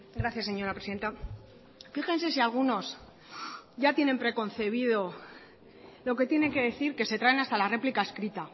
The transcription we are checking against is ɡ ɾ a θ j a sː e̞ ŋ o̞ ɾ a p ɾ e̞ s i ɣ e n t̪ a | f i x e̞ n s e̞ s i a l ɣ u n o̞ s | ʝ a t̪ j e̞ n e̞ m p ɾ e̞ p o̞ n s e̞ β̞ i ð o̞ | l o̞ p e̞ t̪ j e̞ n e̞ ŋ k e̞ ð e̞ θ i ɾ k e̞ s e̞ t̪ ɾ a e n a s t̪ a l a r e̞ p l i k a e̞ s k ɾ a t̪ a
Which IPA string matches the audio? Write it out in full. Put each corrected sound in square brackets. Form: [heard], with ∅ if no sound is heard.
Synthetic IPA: ɡ ɾ a θ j a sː e̞ [ɲ] o̞ ɾ a p ɾ e̞ s i [ð] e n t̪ a | f i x e̞ n s e̞ s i a l ɣ u n o̞ s | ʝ a t̪ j e̞ n e̞ m p ɾ e̞ [k] o̞ n [θ] e̞ β̞ i ð o̞ | l o̞ [k] e̞ t̪ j e̞ n e̞ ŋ k e̞ ð e̞ θ i ɾ k e̞ s e̞ t̪ ɾ a e n a s t̪ a l a r e̞ p l i k a e̞ s k ɾ [i] t̪ a